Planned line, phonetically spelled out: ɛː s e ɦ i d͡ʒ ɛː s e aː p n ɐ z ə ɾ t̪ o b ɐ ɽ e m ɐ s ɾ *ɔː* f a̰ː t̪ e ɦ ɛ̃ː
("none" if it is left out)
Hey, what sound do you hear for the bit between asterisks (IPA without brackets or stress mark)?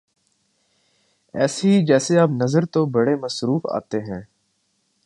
uː